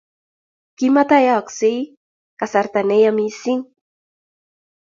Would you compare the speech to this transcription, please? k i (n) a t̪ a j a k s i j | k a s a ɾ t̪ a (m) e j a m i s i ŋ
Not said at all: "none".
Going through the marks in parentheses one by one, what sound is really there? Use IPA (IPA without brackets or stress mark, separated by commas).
m, n